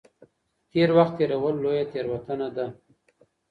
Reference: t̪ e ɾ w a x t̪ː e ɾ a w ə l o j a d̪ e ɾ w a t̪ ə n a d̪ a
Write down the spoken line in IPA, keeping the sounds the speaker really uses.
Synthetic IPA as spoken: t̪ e ɾ w a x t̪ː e ɾ a w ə lː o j a t̪ e ɾ w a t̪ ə n a d̪ a